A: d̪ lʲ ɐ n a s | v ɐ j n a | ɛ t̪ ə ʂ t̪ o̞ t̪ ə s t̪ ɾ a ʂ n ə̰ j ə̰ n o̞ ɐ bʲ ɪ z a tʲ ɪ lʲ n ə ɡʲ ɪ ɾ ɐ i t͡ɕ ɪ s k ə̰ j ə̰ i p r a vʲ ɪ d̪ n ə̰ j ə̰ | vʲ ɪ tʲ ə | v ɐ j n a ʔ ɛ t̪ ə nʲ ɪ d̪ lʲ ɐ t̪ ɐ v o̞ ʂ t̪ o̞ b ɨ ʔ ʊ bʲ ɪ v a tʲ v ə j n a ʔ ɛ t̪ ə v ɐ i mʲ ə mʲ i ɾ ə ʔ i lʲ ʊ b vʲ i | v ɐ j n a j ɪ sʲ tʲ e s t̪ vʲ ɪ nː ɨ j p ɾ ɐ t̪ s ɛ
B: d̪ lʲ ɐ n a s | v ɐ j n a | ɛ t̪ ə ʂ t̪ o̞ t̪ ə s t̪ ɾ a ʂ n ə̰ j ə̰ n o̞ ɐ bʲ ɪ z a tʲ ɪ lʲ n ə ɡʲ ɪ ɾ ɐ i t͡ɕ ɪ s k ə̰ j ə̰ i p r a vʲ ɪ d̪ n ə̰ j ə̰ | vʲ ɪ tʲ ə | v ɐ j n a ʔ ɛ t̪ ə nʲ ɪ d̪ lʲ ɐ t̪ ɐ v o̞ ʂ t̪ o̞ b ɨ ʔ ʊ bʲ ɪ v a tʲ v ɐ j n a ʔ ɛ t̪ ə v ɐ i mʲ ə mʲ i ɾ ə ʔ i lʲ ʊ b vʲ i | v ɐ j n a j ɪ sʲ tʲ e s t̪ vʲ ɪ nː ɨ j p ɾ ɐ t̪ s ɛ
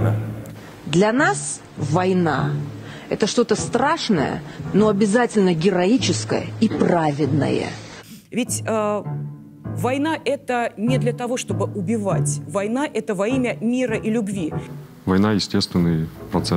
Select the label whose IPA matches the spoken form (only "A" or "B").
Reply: B